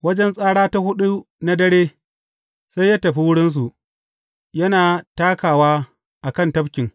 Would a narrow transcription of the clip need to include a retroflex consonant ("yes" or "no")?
yes